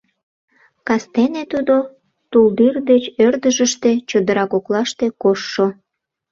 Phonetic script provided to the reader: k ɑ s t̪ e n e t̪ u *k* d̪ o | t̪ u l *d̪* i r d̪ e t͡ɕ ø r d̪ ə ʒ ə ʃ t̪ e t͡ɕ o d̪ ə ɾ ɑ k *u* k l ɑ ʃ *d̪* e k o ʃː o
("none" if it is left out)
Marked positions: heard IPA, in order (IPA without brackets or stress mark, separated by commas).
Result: none, d̪, o, t̪